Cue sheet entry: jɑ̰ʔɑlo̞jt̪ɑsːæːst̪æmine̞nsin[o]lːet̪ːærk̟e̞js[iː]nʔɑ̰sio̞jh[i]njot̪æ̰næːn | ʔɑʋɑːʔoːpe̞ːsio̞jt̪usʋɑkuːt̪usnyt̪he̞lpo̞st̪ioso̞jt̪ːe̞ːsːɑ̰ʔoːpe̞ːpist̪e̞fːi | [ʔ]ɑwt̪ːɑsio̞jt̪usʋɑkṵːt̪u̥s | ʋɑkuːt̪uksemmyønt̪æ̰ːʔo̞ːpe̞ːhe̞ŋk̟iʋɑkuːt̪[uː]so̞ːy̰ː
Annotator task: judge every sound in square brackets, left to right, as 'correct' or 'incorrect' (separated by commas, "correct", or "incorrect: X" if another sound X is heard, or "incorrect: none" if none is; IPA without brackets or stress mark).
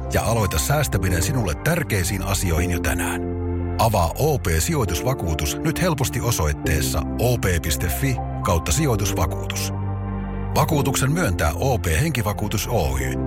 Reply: incorrect: u, correct, correct, incorrect: k, incorrect: u